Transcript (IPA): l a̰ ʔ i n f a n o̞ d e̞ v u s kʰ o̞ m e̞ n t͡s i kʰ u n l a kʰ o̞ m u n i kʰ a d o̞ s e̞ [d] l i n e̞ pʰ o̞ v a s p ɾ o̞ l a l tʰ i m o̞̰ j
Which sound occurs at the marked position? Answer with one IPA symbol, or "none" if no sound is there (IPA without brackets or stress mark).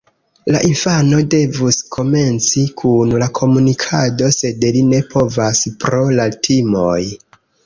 d